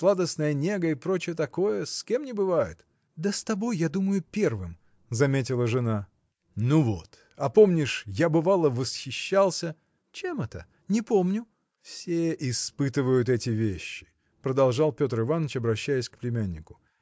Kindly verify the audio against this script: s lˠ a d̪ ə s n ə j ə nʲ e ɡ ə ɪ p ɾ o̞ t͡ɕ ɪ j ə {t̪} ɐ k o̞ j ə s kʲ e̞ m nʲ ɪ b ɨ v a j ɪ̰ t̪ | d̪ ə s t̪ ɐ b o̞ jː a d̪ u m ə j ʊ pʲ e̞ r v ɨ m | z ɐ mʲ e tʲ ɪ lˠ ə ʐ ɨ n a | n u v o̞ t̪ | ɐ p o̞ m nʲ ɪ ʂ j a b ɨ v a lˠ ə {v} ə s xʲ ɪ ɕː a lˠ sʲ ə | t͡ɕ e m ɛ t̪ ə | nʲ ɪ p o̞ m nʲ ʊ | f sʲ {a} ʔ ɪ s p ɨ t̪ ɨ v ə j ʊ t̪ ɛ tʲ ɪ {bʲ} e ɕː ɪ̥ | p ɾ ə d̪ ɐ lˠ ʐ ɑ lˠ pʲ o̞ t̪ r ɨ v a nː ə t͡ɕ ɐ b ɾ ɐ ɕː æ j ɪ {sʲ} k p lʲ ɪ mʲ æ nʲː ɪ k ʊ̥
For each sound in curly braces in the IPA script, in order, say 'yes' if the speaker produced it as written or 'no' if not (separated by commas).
yes, yes, no, no, yes